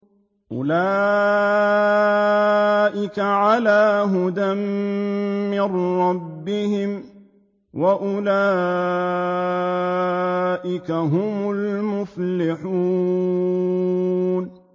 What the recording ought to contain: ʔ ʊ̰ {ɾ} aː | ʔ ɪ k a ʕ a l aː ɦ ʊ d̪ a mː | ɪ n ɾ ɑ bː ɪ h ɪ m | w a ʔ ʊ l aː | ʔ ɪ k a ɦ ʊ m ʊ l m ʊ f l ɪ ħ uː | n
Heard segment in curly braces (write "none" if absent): l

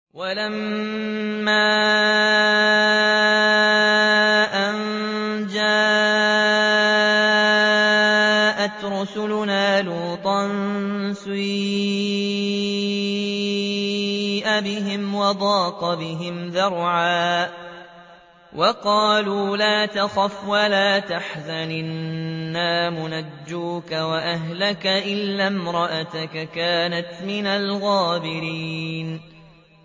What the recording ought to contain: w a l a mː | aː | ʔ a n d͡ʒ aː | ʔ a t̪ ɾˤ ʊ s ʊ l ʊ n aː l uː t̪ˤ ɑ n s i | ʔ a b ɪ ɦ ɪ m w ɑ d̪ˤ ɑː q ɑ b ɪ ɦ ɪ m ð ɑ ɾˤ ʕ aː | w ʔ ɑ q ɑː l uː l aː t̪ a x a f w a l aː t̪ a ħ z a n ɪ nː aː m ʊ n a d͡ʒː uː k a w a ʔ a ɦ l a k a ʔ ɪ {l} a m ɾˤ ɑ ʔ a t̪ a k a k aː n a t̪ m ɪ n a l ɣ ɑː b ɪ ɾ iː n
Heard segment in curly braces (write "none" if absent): lː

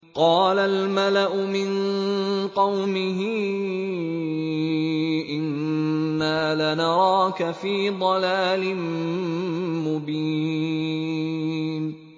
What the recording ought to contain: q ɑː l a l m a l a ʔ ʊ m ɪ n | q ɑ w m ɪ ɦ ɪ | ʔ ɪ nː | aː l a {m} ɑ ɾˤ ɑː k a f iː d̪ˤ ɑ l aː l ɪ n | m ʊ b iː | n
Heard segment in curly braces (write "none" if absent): n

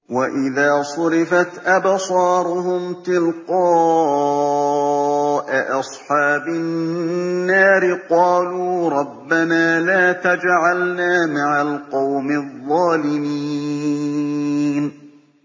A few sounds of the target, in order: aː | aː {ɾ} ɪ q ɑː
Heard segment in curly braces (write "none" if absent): ɾ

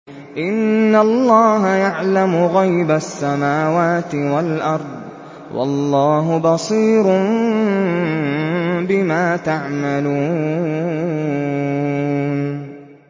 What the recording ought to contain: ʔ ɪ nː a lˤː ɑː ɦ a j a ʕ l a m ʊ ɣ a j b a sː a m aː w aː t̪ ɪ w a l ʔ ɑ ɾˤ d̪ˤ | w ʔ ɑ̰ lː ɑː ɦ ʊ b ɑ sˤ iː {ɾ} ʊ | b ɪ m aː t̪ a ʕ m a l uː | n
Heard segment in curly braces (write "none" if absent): ɾ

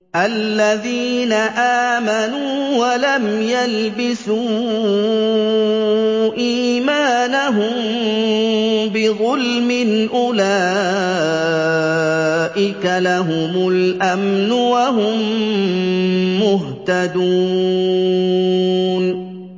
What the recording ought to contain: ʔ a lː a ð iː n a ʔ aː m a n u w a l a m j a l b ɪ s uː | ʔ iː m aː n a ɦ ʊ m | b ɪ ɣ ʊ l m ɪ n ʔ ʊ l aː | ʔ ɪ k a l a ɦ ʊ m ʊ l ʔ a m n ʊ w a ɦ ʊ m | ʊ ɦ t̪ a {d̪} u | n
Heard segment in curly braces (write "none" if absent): d̪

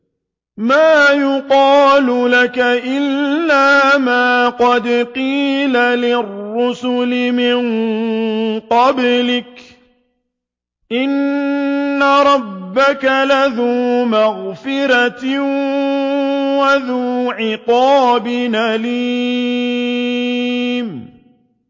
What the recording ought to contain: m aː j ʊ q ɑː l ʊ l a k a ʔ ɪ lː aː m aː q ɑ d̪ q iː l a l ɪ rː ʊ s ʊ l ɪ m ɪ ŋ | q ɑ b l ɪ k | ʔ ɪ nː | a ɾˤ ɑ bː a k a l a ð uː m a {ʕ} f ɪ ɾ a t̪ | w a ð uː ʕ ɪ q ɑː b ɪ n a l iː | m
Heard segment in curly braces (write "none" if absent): ɣ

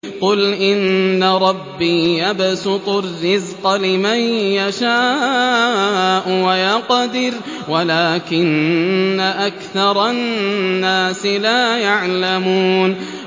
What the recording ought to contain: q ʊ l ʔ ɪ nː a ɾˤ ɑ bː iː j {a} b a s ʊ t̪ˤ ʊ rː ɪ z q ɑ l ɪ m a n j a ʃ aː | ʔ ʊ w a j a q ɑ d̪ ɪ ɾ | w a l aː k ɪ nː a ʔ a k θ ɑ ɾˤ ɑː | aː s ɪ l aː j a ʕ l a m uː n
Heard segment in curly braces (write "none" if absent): a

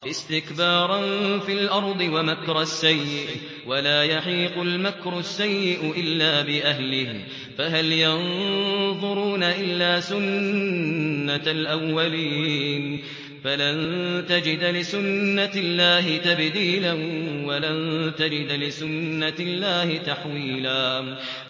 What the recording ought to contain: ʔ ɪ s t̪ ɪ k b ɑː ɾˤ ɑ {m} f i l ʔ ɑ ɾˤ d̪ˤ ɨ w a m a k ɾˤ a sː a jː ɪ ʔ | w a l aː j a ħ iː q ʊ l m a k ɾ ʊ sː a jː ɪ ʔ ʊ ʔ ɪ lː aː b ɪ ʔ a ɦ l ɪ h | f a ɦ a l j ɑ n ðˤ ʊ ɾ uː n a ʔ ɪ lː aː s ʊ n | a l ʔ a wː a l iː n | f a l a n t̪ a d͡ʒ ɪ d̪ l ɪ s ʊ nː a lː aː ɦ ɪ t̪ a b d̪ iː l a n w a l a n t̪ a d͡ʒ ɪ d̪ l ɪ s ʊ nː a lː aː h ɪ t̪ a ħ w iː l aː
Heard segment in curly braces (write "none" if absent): n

